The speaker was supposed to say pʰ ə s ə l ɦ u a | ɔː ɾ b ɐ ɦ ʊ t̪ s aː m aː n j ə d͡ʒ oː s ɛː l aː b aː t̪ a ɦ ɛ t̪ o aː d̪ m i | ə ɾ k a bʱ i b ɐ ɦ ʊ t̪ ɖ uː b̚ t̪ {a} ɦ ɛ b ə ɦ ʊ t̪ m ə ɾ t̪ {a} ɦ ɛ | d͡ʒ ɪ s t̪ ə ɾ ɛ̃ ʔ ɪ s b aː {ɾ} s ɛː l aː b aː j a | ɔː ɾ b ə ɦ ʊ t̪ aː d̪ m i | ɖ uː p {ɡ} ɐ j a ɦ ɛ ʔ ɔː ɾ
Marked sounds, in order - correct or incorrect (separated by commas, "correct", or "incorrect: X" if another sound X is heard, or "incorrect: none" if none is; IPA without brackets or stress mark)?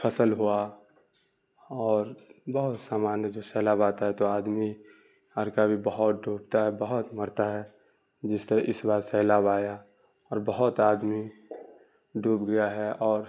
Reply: correct, correct, correct, correct